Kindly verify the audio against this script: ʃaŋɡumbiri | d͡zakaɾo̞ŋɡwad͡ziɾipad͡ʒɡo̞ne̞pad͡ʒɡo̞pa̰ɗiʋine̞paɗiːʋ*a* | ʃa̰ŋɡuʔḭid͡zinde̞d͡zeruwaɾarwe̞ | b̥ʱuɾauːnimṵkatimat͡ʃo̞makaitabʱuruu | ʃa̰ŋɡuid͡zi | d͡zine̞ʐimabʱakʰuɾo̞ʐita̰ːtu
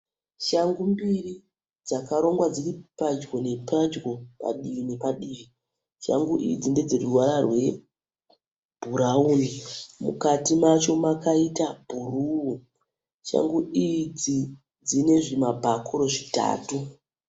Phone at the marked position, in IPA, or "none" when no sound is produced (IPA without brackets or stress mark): i